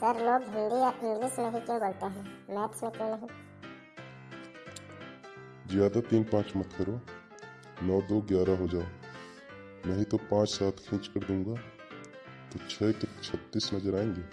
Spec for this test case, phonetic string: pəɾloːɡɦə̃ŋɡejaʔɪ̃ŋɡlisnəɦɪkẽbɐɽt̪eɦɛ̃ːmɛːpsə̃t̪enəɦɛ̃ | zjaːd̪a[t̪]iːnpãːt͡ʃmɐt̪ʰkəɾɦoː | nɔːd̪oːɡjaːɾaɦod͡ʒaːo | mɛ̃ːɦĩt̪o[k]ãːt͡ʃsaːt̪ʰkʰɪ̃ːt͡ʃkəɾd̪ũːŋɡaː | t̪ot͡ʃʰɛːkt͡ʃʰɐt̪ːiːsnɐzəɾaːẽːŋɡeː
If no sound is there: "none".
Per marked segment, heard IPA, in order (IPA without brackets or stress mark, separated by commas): t̪, p